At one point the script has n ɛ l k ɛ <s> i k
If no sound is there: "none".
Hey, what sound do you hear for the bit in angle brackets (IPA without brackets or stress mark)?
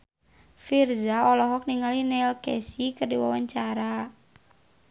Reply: s